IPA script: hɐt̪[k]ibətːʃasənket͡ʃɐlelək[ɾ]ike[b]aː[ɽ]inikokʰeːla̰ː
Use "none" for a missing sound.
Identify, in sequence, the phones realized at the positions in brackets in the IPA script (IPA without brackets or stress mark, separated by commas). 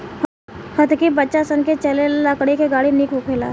k, ɽ, ɡ, ɽ